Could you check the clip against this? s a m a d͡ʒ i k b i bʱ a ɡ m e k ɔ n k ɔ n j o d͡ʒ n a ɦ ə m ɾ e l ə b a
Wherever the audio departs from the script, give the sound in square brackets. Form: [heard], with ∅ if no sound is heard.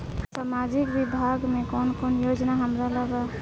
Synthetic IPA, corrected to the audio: s a m a d͡ʒ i k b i bʱ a ɡ m e k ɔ n k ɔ n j o d͡ʒ n a ɦ ə m ɾ [a] l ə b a